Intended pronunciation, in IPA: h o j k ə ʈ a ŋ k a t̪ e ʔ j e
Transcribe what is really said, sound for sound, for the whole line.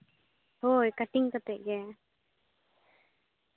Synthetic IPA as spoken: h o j k a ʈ i ŋ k a t̪ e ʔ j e

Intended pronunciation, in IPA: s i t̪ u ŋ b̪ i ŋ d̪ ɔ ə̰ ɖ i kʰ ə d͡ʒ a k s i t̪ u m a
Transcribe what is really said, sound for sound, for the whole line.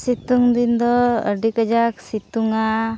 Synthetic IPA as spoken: s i t̪ u ŋ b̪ i n d̪ ɔ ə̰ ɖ i k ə d͡ʒ a k s i t̪ u ŋ a

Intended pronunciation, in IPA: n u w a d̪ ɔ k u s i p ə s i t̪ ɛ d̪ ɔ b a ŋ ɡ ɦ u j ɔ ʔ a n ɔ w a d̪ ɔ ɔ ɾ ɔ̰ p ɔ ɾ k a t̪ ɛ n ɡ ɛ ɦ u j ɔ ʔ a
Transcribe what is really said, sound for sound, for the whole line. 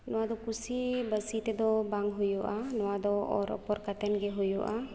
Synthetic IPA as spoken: n ɔ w a d̪ ɔ k u s i b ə s i t̪ ɛ d̪ ɔ b a ŋ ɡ ɦ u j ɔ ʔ a n ɔ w a d̪ ɔ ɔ ɾ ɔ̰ p ɔ ɾ k a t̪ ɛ n ɡ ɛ ɦ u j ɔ ʔ a

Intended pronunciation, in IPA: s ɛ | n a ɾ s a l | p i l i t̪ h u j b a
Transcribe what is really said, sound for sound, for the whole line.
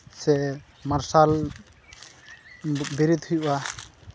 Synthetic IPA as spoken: s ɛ | m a ɾ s a l | b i ɾ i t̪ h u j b a

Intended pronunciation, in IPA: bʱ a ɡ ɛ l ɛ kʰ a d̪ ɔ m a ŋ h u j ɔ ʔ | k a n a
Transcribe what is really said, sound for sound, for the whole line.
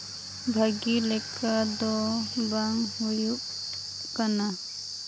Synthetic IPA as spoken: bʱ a ɡ i l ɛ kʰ a d̪ ɔ b a ŋ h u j u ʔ | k a n a

